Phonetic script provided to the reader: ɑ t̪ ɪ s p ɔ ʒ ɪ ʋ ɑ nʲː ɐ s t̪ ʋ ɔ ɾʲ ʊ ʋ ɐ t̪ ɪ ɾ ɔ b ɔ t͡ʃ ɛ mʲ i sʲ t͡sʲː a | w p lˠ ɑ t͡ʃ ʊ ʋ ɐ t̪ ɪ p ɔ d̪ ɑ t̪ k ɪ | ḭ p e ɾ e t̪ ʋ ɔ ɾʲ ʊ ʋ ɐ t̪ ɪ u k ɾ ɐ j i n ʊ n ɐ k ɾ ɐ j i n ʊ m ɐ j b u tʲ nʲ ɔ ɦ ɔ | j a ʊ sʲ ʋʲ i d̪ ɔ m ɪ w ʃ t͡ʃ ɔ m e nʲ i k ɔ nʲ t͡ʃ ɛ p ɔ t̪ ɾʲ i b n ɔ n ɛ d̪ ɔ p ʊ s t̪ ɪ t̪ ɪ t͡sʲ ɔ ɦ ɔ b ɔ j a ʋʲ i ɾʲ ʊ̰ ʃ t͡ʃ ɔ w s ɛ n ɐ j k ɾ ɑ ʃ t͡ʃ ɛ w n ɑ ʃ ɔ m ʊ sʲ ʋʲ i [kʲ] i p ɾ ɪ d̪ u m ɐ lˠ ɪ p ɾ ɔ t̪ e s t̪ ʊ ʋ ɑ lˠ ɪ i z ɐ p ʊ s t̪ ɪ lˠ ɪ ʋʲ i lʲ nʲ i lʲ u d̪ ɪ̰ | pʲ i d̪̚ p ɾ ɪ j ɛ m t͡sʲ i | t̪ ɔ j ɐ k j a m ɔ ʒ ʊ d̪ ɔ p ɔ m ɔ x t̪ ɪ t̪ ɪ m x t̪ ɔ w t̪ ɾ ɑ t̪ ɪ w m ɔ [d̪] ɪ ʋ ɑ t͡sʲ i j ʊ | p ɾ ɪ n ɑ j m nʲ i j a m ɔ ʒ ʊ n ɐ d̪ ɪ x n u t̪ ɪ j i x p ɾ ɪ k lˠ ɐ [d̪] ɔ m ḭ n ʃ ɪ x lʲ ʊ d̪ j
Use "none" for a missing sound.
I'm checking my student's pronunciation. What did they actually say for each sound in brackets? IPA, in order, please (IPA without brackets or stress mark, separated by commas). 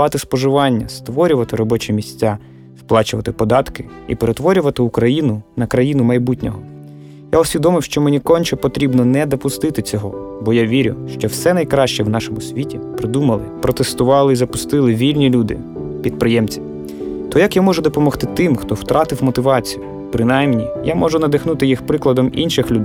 tʲ, t̪, d̪